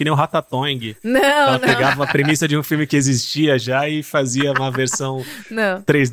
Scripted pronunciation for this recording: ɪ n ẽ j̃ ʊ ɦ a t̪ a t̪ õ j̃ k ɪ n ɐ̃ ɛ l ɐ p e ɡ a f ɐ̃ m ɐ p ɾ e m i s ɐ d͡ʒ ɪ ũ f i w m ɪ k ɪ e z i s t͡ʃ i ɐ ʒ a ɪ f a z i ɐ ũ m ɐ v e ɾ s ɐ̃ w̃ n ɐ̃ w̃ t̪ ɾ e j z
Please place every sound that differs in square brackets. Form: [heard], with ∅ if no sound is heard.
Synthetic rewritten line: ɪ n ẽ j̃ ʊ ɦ a t̪ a t̪ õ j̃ [ɡ] ɪ n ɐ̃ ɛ l ɐ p e ɡ a [v] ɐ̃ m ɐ p ɾ e m i s ɐ d͡ʒ ɪ ũ f i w m ɪ k ɪ e z i s t͡ʃ i ɐ ʒ a ɪ f a z i ɐ ũ m ɐ v e ɾ s ɐ̃ w̃ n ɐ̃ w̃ t̪ ɾ e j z